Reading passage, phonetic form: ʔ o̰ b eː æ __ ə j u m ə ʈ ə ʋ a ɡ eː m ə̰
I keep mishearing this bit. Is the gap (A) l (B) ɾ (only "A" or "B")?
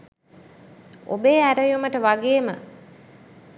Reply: B